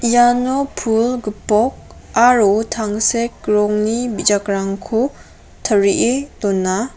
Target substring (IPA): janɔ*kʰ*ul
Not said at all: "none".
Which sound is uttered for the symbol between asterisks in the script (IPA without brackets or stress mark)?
pʰ